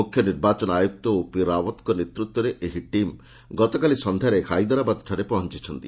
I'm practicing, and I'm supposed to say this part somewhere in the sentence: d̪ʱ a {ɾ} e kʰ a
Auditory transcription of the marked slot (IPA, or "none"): ɾ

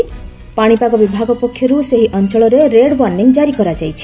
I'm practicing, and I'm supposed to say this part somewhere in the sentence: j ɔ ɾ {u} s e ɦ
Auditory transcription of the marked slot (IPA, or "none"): u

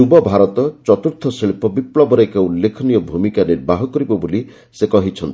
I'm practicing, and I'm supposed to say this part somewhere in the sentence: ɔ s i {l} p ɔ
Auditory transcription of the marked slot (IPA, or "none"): ɭ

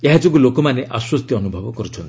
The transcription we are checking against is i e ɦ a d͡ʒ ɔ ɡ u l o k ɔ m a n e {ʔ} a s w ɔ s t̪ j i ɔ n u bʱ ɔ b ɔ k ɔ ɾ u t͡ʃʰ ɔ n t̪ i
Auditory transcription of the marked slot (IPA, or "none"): ʔ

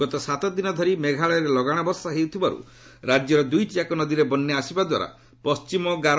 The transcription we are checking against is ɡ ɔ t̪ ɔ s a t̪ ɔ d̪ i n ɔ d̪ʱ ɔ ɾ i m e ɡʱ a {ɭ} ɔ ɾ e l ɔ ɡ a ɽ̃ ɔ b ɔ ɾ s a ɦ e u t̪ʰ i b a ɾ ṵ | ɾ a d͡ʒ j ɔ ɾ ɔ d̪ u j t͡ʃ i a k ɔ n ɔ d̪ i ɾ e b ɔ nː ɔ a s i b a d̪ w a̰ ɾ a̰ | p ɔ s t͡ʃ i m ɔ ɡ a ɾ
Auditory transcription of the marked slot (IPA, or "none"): ɭ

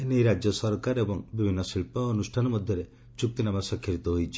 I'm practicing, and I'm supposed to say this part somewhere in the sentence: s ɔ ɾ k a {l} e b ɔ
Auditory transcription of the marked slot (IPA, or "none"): ɾ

